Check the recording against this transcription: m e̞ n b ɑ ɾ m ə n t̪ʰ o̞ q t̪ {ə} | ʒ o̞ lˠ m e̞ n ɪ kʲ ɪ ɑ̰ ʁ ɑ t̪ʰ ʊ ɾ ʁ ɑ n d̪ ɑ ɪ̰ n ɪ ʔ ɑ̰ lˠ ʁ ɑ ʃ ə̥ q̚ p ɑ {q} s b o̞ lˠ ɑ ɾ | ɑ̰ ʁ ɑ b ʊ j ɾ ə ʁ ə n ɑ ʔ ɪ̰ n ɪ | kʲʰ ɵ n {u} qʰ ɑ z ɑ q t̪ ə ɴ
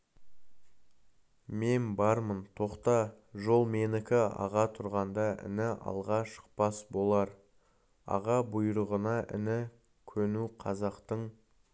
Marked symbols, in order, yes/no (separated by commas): no, no, yes